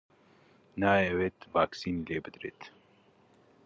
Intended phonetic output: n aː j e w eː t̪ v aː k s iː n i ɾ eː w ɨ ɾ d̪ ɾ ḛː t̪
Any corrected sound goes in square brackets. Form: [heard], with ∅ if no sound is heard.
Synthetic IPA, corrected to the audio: n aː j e w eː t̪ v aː k s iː n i [l] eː [b] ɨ [∅] d̪ ɾ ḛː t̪